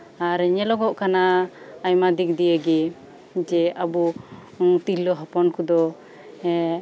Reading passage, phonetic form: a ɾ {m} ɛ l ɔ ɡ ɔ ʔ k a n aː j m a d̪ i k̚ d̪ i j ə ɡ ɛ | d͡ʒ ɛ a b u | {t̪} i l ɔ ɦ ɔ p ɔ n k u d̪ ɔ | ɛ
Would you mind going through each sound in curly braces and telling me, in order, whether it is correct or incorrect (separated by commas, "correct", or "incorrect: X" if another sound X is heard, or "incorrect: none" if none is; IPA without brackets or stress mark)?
incorrect: ɲ, correct